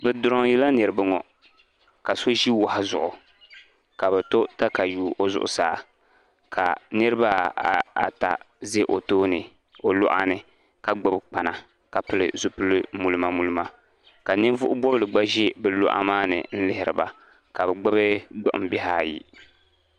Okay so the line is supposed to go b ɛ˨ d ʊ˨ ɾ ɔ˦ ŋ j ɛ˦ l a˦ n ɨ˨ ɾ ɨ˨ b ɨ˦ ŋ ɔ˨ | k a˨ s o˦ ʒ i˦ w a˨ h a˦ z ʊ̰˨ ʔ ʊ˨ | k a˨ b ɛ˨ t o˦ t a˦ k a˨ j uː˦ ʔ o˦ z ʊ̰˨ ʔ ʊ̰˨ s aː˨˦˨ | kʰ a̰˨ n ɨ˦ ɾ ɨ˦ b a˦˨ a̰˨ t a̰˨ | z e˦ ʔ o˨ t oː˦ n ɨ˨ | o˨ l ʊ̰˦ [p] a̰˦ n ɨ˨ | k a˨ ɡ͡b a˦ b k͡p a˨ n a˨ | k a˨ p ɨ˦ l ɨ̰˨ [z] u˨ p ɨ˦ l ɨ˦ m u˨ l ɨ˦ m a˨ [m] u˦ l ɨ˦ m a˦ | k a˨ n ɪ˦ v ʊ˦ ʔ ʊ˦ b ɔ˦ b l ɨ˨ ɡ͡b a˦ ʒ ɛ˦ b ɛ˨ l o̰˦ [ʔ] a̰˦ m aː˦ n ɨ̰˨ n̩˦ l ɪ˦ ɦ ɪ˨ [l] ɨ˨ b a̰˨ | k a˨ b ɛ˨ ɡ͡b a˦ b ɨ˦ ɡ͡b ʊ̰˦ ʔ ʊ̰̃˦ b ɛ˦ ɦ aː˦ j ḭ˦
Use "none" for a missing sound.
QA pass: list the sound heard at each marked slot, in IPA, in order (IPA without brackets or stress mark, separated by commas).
ʔ, z, m, ʔ, ɾ